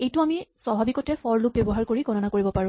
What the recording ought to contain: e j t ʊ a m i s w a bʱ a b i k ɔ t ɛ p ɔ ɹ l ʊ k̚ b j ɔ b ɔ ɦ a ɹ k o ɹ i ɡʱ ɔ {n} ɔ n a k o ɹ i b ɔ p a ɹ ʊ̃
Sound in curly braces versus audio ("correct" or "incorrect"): correct